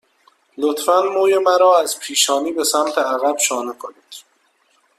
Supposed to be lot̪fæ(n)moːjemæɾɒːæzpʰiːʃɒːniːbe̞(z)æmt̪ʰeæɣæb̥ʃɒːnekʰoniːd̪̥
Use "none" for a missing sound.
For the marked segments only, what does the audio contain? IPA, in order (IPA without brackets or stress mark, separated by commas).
n, s